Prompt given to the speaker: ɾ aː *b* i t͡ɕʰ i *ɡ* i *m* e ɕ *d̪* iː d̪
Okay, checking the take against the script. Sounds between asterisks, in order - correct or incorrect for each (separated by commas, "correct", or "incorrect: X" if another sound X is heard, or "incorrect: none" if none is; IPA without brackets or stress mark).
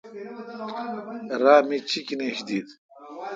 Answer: incorrect: m, incorrect: k, incorrect: n, correct